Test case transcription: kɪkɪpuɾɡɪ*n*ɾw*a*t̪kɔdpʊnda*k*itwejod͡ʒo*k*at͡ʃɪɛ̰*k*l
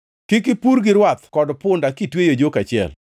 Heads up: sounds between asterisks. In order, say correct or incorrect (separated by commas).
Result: incorrect, correct, correct, correct, incorrect